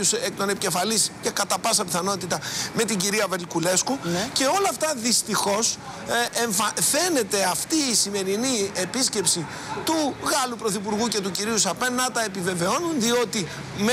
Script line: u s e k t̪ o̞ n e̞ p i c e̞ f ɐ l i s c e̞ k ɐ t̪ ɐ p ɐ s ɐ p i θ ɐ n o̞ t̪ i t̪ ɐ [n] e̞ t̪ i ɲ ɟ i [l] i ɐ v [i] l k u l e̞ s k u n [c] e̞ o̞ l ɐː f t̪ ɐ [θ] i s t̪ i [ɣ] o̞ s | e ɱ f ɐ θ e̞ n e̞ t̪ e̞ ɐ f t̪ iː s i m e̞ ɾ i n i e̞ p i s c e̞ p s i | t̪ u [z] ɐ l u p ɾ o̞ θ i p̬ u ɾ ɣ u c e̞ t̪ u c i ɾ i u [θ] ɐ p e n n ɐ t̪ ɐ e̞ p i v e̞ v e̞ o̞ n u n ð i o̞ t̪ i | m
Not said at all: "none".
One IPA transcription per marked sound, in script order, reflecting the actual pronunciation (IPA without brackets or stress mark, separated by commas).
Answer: m, ɾ, e, c, ð, x, ɣ, s